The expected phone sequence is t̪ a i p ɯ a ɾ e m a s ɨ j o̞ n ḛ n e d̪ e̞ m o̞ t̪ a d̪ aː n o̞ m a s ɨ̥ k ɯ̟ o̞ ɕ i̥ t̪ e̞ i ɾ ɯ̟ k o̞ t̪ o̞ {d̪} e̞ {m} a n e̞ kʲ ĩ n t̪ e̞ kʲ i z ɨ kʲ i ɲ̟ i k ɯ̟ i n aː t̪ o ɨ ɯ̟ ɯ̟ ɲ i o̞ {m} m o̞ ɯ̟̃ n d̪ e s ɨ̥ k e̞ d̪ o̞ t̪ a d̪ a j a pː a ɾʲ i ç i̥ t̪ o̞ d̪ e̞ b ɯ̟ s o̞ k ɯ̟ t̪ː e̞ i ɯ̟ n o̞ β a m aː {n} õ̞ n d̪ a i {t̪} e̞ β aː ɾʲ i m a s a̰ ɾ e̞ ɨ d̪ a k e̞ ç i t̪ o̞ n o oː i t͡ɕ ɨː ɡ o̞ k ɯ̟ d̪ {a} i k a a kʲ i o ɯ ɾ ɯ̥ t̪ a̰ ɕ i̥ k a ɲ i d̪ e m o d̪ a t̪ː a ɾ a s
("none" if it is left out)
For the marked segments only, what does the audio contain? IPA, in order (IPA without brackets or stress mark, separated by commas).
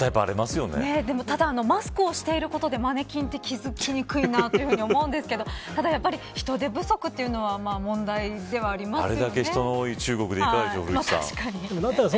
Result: d̪, m, m, m, d̪, e